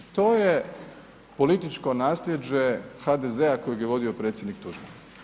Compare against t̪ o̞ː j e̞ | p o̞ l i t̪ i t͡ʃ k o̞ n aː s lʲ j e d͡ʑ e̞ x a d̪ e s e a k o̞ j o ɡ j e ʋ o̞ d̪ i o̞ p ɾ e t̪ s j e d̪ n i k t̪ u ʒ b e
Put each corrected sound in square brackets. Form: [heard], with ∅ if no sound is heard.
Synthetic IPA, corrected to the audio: t̪ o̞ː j e̞ | p o̞ l i t̪ i t͡ʃ k o̞ n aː s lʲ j e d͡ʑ e̞ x a d̪ e [z] e a k o̞ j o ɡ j e ʋ o̞ d̪ i o̞ p ɾ e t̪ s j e d̪ n i k t̪ u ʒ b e

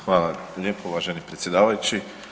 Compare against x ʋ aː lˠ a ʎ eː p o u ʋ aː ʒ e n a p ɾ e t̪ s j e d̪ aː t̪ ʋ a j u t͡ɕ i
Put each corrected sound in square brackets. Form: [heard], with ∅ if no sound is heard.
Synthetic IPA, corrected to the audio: x ʋ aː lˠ a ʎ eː p o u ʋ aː ʒ e n [i] p ɾ e t̪ s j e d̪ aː [∅] ʋ a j u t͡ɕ i

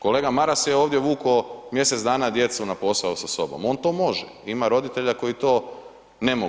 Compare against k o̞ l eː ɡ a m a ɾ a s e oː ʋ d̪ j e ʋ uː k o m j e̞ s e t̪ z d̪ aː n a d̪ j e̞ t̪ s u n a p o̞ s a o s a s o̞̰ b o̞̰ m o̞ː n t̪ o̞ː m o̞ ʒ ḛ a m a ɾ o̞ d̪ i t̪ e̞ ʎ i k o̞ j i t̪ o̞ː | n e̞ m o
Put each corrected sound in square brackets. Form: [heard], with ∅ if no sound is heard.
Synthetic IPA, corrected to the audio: k o̞ l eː ɡ a m a ɾ a s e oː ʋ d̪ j e ʋ uː k o m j e̞ s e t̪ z d̪ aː n a d̪ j e̞ t̪ s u n a p o̞ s a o s a s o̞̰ b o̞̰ m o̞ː n t̪ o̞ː m o̞ ʒ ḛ [i] m a ɾ o̞ d̪ i t̪ e̞ ʎ [a] k o̞ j i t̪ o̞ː | n e̞ m o

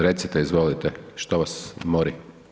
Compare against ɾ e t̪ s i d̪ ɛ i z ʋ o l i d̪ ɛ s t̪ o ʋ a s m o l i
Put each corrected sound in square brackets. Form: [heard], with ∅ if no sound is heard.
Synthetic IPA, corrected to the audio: ɾ e t̪ s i [t̪] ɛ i z ʋ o l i [t̪] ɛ [ʃ] t̪ o ʋ a s m o [ɾ] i

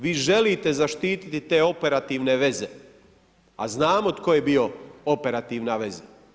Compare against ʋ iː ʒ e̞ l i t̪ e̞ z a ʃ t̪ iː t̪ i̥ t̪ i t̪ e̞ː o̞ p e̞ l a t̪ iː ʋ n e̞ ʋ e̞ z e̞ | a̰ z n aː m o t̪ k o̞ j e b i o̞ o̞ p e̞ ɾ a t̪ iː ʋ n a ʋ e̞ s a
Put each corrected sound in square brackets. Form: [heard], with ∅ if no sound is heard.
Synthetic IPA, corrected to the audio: ʋ iː ʒ e̞ l i t̪ e̞ z a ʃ t̪ iː t̪ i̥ t̪ i t̪ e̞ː o̞ p e̞ [ɾ] a t̪ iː ʋ n e̞ ʋ e̞ z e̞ | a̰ z n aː m o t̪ k o̞ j e b i o̞ o̞ p e̞ ɾ a t̪ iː ʋ n a ʋ e̞ [z] a

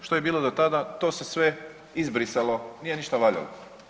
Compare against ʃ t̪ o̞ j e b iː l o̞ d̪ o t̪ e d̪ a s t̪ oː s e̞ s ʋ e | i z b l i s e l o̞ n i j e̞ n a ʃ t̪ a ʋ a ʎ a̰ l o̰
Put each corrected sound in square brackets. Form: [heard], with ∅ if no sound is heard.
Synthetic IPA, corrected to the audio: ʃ t̪ o̞ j e b iː l o̞ d̪ o t̪ [a] d̪ a [∅] t̪ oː s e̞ s ʋ e | i z b [ɾ] i s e l o̞ n i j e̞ n [i] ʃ t̪ a ʋ a ʎ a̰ l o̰

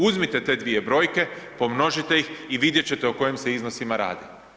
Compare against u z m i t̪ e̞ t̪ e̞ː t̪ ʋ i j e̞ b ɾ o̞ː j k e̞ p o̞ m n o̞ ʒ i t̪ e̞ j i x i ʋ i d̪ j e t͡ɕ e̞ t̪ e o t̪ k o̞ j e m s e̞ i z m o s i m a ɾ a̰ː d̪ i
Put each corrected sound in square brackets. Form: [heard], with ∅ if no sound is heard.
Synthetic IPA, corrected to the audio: u z m i t̪ e̞ t̪ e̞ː [d̪] ʋ i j e̞ b ɾ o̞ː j k e̞ p o̞ m n o̞ ʒ i t̪ e̞ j i x i ʋ i d̪ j e t͡ɕ e̞ t̪ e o [∅] k o̞ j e m s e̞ i z [n] o s i m a ɾ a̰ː d̪ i

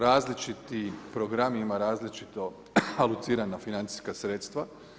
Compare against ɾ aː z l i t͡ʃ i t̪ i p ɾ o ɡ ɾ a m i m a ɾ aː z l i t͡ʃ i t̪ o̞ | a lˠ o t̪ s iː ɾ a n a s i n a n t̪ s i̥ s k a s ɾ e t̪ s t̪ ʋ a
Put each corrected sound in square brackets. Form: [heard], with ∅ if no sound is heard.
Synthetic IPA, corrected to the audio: ɾ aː z l i t͡ʃ i t̪ i p ɾ o ɡ ɾ a m i m a ɾ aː z l i t͡ʃ i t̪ o̞ | a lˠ [u] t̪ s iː ɾ a n a [f] i n a n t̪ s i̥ s k a s ɾ e t̪ s t̪ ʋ a

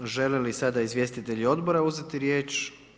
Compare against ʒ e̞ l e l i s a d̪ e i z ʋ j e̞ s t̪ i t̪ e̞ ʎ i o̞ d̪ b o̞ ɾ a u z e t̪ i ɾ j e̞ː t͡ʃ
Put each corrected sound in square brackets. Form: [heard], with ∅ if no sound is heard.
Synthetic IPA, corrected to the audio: ʒ e̞ l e l i s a d̪ [a] i z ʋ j e̞ s t̪ i t̪ e̞ ʎ i o̞ d̪ b o̞ ɾ a u z e t̪ i ɾ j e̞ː t͡ʃ

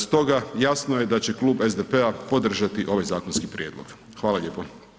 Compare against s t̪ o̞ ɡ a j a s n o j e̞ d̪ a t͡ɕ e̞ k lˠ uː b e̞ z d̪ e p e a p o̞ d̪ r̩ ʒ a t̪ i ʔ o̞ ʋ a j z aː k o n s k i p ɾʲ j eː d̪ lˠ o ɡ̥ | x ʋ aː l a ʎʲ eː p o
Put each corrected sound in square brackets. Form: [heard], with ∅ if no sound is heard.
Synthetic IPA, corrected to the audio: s t̪ o̞ ɡ a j a s n o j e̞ d̪ a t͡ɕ e̞ k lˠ uː b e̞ z d̪ e p e a p o̞ d̪ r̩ ʒ a t̪ i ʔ o̞ ʋ a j z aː k o n s k i p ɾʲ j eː d̪ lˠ o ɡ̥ | x ʋ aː l a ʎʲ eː p o

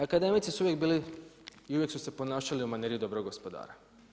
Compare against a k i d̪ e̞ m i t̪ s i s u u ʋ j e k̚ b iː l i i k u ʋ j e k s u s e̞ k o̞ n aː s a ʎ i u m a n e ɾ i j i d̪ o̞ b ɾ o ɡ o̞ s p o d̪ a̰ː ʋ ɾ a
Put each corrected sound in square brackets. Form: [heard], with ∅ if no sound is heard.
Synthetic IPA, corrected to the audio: a k [a] d̪ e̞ m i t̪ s i s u u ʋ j e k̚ b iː l i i [∅] u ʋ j e k s u s e̞ [p] o̞ n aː [ʃ] a [l] i u m a n e ɾ i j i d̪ o̞ b ɾ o ɡ o̞ s p o d̪ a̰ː [∅] ɾ a

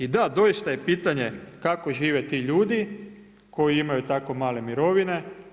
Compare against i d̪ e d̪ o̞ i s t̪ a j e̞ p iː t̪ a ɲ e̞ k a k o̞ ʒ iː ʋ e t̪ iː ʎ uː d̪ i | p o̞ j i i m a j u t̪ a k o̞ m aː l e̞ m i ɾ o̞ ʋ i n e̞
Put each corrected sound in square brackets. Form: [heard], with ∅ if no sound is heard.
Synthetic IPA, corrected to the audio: i d̪ [a] d̪ o̞ i s t̪ a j e̞ p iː t̪ a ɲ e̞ k a k o̞ ʒ iː ʋ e t̪ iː ʎ uː d̪ i | [k] o̞ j i i m a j u t̪ a k o̞ m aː l e̞ m i ɾ o̞ ʋ i n e̞

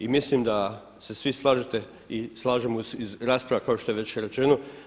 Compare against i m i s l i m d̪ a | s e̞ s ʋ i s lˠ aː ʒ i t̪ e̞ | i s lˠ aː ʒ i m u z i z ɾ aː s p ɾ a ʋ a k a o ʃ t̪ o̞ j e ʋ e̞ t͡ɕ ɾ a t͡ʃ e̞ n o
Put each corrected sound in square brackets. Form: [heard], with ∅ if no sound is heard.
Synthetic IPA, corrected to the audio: i m i s l i m d̪ a | s e̞ s ʋ i s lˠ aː ʒ [e] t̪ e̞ | i s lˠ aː ʒ [e] m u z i z ɾ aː s p ɾ a ʋ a k a o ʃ t̪ o̞ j e ʋ e̞ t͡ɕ ɾ [e] t͡ʃ e̞ n o

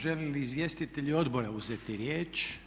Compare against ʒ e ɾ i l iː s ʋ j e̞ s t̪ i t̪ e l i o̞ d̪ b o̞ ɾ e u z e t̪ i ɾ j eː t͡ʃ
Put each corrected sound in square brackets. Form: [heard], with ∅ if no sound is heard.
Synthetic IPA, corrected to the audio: ʒ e [l] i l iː [z] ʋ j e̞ s t̪ i t̪ e [ʎ] i o̞ d̪ b o̞ ɾ [a] u z e t̪ i ɾ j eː t͡ʃ

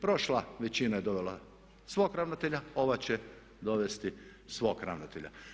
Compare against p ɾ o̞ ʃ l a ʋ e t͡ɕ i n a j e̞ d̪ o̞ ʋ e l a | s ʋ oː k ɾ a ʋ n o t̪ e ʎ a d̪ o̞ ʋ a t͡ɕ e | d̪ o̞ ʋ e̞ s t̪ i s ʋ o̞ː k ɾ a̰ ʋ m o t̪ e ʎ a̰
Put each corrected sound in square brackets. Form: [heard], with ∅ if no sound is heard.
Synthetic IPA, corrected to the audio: p ɾ o̞ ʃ l a ʋ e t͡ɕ i n a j e̞ d̪ o̞ ʋ e l a | s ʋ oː k ɾ a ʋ n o t̪ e ʎ a [∅] o̞ ʋ a t͡ɕ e | d̪ o̞ ʋ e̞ s t̪ i s ʋ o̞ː k ɾ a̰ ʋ [n] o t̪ e ʎ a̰

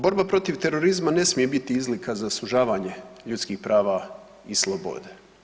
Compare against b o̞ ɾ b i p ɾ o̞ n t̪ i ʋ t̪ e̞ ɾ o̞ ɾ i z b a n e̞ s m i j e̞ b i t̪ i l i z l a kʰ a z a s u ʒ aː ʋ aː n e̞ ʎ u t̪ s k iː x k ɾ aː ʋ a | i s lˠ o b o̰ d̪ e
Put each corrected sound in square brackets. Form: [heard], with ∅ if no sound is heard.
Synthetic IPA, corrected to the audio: b o̞ ɾ b [a] p ɾ o̞ [∅] t̪ i ʋ t̪ e̞ ɾ o̞ ɾ i z [m] a n e̞ s m i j e̞ b i t̪ i [∅] i z l [i] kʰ a z a s u ʒ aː ʋ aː [ɲ] e̞ ʎ u t̪ s k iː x [p] ɾ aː ʋ a | i s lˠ o b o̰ d̪ e

